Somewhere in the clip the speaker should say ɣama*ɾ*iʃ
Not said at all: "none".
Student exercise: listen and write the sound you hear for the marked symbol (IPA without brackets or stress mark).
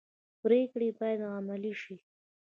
l